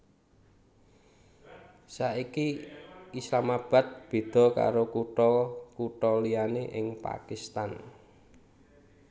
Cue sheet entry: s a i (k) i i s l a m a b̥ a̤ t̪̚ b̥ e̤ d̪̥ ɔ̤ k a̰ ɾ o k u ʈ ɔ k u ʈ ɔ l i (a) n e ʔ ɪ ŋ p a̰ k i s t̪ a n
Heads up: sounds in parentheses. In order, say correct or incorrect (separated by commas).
correct, correct